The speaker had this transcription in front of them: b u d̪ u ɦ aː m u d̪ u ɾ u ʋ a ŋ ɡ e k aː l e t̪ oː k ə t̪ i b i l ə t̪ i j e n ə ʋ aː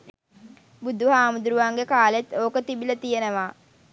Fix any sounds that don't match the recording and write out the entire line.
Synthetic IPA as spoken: b u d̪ u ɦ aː m u d̪ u ɾ u ʋ a ŋ ɡ e k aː l e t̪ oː k ə t̪ i b i l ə t̪ i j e n ə ʋ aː